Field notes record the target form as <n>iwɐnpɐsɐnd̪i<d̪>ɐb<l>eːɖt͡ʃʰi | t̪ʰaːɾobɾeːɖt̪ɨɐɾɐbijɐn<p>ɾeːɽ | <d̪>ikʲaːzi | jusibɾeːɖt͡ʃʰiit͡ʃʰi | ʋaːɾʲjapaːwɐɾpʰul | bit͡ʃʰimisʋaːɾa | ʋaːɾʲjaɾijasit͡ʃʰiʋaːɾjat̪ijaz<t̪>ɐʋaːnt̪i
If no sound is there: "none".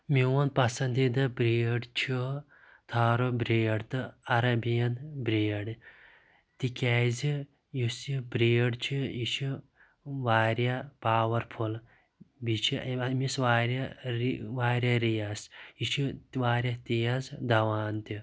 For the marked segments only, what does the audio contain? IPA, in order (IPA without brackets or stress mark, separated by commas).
m, d̪, ɾ, b, t̪, d̪